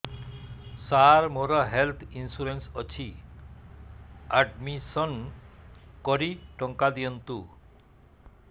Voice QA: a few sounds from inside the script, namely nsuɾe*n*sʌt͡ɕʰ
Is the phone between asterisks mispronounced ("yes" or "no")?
no